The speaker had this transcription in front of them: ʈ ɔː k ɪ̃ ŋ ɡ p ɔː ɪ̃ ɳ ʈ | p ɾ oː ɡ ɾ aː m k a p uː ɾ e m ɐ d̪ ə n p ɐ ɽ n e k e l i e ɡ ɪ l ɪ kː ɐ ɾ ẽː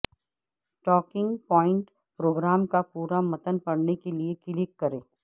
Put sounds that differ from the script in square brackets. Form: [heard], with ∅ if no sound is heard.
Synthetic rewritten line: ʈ ɔː k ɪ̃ ŋ ɡ p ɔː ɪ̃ ɳ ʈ | p ɾ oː ɡ ɾ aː m k a p uː ɾ [a] m ɐ [t̪] ə n p ɐ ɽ n e k e l i e [k] ɪ l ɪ kː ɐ ɾ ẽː